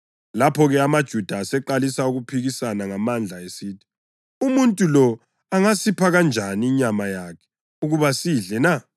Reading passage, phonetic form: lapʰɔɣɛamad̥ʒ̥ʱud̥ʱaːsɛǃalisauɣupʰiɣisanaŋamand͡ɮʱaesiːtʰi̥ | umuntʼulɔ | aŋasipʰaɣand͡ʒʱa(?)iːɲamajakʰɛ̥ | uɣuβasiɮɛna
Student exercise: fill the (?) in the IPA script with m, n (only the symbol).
n